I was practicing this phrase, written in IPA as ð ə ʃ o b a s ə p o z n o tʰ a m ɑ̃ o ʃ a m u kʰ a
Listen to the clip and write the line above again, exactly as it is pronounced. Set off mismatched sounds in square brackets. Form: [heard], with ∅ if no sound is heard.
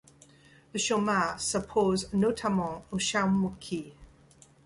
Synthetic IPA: ð ə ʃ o [m] a s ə [pʰ] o z n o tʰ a m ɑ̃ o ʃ a m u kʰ [i]